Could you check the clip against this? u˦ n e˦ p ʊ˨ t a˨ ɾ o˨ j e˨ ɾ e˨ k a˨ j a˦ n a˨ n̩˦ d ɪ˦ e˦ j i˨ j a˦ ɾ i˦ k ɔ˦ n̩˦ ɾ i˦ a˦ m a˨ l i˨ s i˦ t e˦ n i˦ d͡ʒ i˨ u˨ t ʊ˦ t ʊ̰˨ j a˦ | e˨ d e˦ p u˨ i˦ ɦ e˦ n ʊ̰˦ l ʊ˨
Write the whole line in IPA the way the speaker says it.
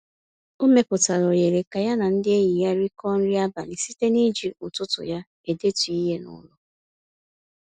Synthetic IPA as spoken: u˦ m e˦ p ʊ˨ t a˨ ɾ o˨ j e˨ ɾ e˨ k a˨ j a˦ n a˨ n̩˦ d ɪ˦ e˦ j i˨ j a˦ ɾ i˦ k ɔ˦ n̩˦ ɾ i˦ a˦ b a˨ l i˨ s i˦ t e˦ n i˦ d͡ʒ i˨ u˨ t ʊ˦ t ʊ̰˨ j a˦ | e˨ d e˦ t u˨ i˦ ɦ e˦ n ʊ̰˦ l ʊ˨